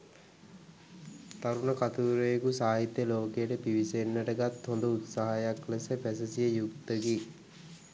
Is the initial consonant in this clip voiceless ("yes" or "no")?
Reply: yes